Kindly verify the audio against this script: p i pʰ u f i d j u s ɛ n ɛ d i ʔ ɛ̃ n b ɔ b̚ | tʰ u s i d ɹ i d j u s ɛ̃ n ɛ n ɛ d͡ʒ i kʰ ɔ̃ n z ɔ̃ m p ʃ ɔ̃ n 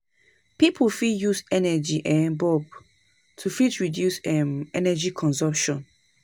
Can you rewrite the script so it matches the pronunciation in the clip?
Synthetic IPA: p i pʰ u f i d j u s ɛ n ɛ d͡ʒ i ʔ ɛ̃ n b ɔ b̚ | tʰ u f i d ɹ i d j u s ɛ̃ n ɛ n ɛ d͡ʒ i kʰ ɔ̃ n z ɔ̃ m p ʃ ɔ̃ n